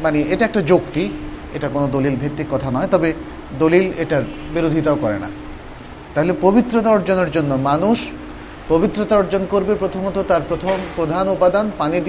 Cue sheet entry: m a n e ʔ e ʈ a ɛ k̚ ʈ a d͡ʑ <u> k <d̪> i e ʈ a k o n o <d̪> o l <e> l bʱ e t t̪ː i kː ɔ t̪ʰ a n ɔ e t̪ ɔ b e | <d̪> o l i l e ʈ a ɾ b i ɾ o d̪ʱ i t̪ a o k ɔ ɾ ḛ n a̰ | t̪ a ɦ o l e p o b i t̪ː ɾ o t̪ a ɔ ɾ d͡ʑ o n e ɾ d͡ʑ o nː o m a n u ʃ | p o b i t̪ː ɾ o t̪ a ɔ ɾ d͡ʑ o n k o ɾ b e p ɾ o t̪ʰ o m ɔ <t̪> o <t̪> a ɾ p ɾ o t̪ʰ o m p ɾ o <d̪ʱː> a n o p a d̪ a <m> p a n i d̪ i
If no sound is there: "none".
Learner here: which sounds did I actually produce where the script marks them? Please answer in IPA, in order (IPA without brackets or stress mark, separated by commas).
o, t̪, d̪, i, d̪, t̪, t̪, d̪ʱ, n